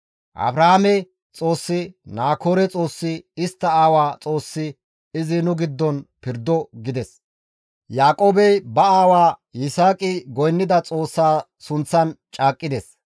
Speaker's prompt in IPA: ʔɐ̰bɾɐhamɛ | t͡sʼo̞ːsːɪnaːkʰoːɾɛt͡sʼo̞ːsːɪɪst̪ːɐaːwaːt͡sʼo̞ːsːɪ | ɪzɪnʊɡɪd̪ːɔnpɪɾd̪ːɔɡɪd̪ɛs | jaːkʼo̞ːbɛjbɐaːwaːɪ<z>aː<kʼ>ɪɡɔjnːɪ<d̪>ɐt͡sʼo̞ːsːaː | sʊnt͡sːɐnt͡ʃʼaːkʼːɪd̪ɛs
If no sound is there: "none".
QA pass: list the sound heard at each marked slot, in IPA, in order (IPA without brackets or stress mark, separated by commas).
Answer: s, kʼ, d̪